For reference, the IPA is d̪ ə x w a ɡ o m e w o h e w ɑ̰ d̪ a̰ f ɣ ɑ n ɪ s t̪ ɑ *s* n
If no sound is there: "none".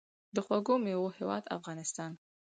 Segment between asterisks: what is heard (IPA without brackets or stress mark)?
none